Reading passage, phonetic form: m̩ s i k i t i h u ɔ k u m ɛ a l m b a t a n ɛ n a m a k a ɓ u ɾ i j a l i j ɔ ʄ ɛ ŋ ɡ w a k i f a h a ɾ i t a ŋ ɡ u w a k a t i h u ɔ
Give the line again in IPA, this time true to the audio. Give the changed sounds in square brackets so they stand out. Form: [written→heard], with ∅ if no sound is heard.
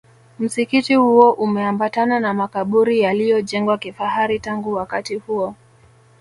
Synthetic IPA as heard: m̩ s i k i t i h u ɔ [k→ʔ] u m ɛ a [l→∅] m b a t a n [ɛ→a] n a m a k a ɓ u ɾ i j a l i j ɔ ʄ ɛ ŋ ɡ w a k i f a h a ɾ i t a ŋ ɡ u w a k a t i h u ɔ

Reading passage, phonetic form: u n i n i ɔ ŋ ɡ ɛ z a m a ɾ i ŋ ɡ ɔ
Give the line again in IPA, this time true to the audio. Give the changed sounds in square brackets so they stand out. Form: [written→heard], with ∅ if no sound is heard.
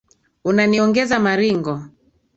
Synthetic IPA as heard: u n [i→a] n i ɔ ŋ ɡ ɛ z a m a ɾ i ŋ ɡ ɔ

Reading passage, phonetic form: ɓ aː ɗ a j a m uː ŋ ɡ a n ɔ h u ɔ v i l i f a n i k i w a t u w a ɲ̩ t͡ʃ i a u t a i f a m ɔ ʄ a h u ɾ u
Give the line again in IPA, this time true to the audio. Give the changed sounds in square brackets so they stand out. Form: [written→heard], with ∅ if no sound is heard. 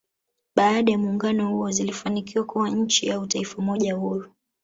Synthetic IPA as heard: ɓ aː ɗ a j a m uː ŋ ɡ a n ɔ h u ɔ [v→z] i l i f a n i k i w a [t→k] u w a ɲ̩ t͡ʃ i a u t a i f a m ɔ ʄ a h u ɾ u

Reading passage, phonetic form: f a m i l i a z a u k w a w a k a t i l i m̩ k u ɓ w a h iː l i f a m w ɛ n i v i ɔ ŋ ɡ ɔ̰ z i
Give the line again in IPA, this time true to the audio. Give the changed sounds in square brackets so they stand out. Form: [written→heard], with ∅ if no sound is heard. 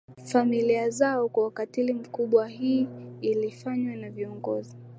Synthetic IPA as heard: f a m i l i a z a [u→ɔ] k w a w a k a t i l i m̩ k u ɓ w a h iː l i f a [m→ɲ] w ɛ n [i→a] v i ɔ ŋ ɡ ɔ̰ z i

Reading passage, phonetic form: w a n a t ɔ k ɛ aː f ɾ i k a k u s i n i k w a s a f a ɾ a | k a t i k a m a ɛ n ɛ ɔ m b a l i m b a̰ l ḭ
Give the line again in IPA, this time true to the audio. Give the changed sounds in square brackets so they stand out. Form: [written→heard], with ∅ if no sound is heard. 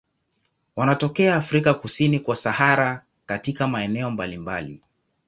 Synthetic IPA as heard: w a n a t ɔ k ɛ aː f ɾ i k a k u s i n i k w a s a [f→h] a ɾ a | k a t i k a m a ɛ n ɛ ɔ m b a l i m b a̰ l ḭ

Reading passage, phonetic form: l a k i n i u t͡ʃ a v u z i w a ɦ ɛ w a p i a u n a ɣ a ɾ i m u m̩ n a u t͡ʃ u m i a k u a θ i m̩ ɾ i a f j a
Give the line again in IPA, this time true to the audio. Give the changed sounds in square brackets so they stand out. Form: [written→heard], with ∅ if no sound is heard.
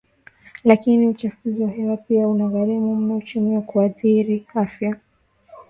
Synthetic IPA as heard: l a k i n i u t͡ʃ a [v→f] u z i w a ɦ ɛ w a p i a u n a ɣ a ɾ i m u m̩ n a u t͡ʃ u m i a k u a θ i [m̩→∅] ɾ i a f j a

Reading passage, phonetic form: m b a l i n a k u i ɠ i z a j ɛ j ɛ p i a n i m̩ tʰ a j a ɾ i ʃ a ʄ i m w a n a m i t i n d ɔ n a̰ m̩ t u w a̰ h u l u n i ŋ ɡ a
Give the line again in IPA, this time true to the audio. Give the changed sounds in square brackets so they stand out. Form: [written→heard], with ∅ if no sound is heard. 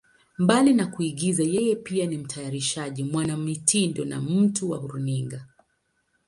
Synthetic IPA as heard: m b a l i n a k u i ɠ i z a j ɛ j ɛ p i a n i m̩ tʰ a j a ɾ i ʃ a ʄ i m w a n a m i t i n d ɔ n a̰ m̩ t u w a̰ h u [l→ɾ] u n i ŋ ɡ a

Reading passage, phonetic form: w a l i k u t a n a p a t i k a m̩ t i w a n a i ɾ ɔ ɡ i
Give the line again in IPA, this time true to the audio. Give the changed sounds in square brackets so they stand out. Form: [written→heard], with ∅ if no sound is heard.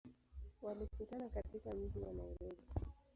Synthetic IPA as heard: w a l i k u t a n a [p→k] a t i k a m̩ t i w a n a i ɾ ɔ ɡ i

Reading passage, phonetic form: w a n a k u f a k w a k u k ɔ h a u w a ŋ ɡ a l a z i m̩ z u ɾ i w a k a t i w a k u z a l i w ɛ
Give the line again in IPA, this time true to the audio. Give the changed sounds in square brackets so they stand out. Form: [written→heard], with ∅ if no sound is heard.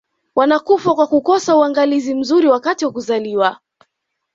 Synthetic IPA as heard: w a n a k u f a k w a k u k ɔ [h→s] a u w a ŋ ɡ a l [a→i] z i m̩ z u ɾ i w a k a t i w a k u z a l i w [ɛ→a]

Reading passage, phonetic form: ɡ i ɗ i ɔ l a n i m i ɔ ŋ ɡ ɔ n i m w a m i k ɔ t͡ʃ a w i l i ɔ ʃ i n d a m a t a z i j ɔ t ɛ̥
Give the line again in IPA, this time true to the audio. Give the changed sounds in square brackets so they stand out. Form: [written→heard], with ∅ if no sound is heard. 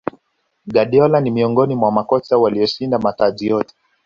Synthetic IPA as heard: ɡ [i→a] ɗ i ɔ l a n i m i ɔ ŋ ɡ ɔ n i m w a m [i→a] k ɔ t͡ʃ a w [i→a] l i ɔ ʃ i n d a m a t a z i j ɔ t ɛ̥

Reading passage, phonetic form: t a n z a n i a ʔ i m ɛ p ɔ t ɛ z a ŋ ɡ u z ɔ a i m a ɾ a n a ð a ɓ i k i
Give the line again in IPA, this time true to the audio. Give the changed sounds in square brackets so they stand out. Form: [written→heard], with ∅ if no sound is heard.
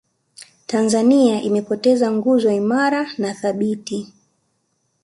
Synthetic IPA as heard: t a n z a n i a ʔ i m ɛ p ɔ t ɛ z a ŋ ɡ u z ɔ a i m a ɾ a n a [ð→θ] a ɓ i [k→t] i

